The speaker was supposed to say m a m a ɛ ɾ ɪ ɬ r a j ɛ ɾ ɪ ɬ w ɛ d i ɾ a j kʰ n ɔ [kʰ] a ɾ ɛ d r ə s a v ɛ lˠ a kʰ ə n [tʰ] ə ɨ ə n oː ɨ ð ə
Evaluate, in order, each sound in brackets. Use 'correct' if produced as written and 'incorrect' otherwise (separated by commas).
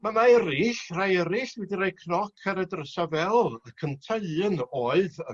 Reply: correct, correct